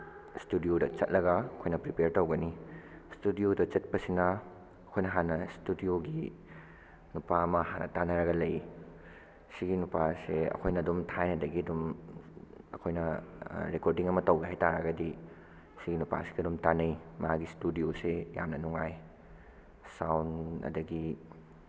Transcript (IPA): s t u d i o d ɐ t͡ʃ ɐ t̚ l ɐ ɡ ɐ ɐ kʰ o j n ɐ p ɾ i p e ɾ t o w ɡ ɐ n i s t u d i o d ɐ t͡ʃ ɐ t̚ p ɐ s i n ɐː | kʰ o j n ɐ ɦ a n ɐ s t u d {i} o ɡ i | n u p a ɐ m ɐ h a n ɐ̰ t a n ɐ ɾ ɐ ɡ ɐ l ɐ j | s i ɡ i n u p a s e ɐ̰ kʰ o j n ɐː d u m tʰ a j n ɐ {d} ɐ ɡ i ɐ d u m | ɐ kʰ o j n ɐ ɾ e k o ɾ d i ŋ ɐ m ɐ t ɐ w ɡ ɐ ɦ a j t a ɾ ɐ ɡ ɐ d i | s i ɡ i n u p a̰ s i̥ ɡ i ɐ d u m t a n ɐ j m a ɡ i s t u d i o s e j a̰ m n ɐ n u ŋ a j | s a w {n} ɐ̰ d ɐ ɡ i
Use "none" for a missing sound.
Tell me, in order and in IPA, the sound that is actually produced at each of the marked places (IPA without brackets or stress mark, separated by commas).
i, d, n